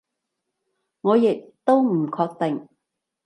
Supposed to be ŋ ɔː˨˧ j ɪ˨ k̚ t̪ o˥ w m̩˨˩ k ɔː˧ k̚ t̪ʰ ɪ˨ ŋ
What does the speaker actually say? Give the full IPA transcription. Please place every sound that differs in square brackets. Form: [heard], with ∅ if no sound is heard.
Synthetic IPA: ŋ ɔː˨˧ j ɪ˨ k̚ t̪ o˥ w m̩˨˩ [kʰ] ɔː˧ k̚ [t̪] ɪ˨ ŋ